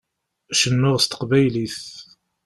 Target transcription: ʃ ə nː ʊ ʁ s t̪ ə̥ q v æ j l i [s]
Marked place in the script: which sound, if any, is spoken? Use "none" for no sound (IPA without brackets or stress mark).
θ